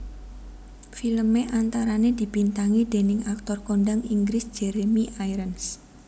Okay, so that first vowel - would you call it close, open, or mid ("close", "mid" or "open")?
close